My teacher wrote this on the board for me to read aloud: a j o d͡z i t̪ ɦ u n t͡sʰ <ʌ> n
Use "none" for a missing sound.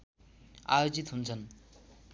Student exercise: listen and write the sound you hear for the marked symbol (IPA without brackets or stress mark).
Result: ʌ